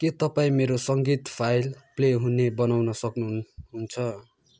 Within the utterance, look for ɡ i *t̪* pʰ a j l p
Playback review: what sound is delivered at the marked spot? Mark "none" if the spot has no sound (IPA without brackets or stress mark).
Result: t̪